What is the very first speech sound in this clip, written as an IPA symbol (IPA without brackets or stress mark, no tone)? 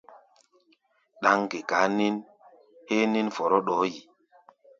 ɗ